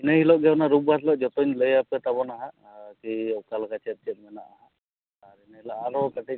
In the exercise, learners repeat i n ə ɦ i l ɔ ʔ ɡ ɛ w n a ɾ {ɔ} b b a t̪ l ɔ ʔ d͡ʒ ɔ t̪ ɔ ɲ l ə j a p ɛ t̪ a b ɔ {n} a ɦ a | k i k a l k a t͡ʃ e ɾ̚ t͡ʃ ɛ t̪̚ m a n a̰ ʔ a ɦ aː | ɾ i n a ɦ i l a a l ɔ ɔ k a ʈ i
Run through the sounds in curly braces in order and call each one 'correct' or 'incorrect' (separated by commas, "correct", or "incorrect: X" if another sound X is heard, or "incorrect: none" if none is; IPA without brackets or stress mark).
incorrect: u, correct